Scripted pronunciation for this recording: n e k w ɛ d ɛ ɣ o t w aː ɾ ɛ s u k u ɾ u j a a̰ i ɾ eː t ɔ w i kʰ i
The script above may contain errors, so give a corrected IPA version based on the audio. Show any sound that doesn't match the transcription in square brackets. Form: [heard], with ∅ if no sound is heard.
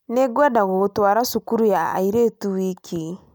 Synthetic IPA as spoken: n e [ɡ] w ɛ d [a] ɣ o t w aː ɾ [a] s u k u ɾ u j a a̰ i ɾ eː t [u] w i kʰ i